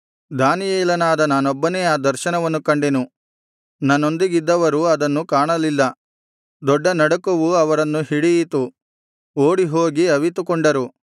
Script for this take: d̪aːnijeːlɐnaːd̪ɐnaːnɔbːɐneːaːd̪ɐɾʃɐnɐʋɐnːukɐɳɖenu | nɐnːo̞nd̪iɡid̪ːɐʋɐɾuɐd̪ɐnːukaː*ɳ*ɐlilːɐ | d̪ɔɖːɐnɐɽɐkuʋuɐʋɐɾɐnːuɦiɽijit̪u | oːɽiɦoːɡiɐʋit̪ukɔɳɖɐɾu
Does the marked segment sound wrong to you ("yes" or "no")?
no